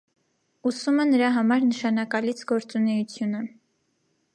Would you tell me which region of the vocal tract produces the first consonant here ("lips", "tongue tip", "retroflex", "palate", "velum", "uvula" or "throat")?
tongue tip